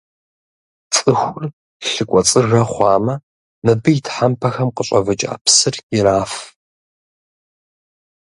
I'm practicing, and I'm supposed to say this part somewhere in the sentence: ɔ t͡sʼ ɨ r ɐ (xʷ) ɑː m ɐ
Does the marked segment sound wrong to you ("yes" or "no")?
yes